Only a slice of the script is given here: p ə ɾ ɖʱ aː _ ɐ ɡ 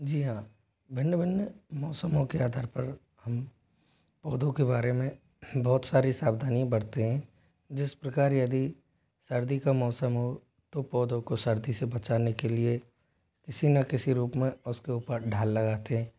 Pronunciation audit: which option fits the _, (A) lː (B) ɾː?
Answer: A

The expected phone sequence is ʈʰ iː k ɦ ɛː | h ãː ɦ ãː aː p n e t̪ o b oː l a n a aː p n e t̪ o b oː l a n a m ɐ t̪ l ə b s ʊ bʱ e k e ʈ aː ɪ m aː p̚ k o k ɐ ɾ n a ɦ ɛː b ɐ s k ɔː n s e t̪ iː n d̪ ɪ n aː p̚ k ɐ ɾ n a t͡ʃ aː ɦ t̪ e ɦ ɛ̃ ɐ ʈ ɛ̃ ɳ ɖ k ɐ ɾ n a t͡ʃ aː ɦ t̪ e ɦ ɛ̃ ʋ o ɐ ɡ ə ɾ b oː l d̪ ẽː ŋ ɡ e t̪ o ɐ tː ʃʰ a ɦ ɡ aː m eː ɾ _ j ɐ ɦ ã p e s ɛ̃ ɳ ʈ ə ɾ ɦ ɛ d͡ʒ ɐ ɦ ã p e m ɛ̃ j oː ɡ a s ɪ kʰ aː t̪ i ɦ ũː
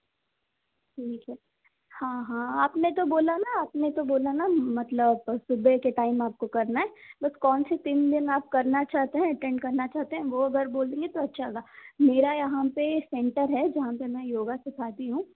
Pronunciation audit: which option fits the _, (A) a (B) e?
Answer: A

